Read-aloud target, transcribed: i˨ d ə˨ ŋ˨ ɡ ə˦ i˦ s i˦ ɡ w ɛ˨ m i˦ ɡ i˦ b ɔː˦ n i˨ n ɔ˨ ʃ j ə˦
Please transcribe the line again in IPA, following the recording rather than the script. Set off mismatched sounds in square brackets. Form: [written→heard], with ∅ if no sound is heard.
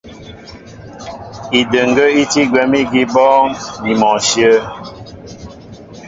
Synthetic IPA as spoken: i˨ d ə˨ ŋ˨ ɡ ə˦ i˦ [s→t] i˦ ɡ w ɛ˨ m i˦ ɡ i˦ b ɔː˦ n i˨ [n→m] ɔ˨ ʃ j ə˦